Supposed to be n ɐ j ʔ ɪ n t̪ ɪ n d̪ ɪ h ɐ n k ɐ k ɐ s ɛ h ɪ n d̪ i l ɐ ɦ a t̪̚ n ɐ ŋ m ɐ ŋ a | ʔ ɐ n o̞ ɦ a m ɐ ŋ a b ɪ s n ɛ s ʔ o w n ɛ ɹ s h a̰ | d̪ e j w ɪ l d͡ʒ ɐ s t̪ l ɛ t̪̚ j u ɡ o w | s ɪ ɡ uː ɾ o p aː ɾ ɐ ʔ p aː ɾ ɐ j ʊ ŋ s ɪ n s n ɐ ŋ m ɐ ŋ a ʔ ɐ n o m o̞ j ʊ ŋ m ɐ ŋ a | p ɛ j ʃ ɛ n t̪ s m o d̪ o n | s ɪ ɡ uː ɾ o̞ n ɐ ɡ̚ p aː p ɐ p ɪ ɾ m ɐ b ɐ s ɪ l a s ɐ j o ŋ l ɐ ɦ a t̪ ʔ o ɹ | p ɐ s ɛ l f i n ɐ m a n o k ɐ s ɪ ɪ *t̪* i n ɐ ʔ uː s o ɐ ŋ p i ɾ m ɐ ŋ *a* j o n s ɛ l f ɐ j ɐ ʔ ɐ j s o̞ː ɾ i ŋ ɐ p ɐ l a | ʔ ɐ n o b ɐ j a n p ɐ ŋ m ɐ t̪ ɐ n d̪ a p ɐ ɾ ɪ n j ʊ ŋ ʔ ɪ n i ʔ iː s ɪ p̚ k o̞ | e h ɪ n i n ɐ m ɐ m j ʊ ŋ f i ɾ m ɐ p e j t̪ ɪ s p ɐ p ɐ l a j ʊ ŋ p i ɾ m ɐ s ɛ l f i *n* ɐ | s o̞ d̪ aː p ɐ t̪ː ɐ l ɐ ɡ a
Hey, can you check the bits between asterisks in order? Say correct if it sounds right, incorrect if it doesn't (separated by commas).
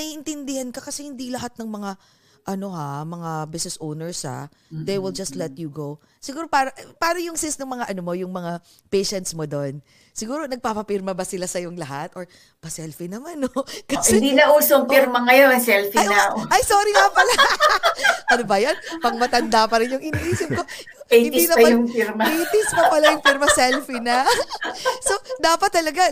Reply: incorrect, incorrect, correct